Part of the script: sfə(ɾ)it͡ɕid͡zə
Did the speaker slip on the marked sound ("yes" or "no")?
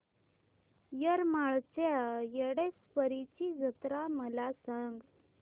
no